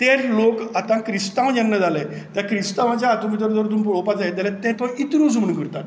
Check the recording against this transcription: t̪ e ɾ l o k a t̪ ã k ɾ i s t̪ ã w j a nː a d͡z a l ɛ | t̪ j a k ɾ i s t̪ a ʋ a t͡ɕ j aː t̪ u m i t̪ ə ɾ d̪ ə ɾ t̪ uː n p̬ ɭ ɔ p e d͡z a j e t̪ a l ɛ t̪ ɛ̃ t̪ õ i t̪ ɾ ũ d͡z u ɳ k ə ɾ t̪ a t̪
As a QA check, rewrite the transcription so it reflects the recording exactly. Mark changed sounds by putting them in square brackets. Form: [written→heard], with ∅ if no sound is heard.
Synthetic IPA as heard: t̪ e ɾ l o k a t̪ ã k ɾ i s t̪ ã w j a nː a d͡z a l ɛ | t̪ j a k ɾ i s t̪ a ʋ a t͡ɕ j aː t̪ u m i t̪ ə ɾ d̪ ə ɾ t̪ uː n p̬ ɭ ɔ p [e→a] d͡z a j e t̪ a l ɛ t̪ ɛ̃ t̪ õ i t̪ ɾ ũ d͡z u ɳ k ə ɾ t̪ a t̪